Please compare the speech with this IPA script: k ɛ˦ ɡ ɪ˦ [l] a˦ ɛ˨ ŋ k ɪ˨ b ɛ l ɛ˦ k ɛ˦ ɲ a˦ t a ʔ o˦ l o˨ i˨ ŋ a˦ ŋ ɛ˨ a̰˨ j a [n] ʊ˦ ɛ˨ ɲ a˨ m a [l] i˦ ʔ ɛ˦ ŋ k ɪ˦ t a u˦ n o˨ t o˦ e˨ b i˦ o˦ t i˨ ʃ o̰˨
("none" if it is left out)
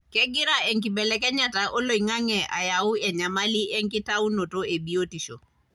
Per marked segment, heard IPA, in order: ɾ, none, l

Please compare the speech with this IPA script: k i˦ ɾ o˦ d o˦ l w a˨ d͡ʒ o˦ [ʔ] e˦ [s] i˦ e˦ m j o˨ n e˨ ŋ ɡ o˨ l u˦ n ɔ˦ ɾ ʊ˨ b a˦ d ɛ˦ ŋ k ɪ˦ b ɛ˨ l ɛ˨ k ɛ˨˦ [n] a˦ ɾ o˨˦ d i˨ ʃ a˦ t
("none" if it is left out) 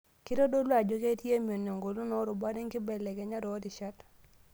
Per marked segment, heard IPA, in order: k, t, ɲ

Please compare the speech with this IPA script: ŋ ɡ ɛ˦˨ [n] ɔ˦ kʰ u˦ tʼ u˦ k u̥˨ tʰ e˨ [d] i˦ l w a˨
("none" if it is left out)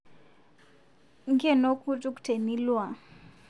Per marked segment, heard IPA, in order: n, n

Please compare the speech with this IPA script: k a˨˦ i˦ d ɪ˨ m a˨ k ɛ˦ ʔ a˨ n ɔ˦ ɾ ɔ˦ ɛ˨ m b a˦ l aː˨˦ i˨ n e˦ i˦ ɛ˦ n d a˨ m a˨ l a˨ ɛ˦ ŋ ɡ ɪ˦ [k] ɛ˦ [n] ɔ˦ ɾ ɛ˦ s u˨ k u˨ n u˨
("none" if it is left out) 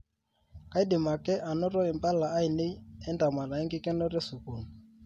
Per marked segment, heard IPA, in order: k, n

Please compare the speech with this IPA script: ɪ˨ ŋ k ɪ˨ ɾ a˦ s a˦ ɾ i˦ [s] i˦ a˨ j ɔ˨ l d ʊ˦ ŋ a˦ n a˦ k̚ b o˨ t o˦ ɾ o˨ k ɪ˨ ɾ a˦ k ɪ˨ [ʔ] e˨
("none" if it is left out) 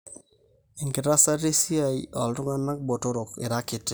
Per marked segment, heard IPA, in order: s, t

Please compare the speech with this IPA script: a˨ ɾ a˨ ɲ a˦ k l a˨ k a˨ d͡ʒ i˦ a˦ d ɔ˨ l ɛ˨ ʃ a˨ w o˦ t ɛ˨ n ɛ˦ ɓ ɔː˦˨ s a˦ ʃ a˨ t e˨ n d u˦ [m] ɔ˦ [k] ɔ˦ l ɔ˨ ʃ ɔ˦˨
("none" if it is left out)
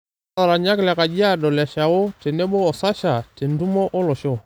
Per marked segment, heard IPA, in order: m, ʔ

